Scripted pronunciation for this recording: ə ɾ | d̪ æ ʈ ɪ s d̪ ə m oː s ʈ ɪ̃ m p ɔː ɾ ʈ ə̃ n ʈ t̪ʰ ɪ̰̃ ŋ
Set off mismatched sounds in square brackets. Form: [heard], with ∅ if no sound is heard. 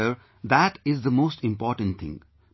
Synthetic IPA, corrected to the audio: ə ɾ | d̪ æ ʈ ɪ [z] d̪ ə m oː s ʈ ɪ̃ m p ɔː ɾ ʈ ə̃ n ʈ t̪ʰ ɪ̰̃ ŋ